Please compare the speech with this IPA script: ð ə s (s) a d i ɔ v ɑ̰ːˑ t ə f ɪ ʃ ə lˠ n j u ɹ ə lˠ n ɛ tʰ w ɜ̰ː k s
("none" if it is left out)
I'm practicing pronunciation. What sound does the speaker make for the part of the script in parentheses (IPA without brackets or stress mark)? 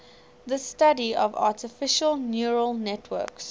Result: t